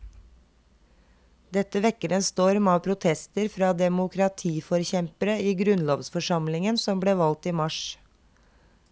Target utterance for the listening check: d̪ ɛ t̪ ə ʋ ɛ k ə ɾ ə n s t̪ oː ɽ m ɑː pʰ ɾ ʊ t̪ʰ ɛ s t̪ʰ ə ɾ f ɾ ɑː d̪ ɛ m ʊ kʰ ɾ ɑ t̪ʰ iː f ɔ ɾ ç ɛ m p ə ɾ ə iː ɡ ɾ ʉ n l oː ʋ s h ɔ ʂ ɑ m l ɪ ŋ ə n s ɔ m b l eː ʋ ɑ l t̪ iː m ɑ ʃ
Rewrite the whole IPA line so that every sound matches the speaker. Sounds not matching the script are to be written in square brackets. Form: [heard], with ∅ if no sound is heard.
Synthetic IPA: d̪ ɛ t̪ ə ʋ ɛ k ə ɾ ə n s t̪ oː [ɾ] m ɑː pʰ ɾ ʊ t̪ʰ ɛ s [t̪] ə ɾ f ɾ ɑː d̪ ɛ m ʊ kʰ ɾ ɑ t̪ʰ iː f ɔ ɾ ç ɛ m p ə ɾ ə iː ɡ ɾ ʉ n l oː ʋ s [f] ɔ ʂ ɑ m l ɪ ŋ ə n s ɔ m b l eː ʋ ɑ l t̪ iː m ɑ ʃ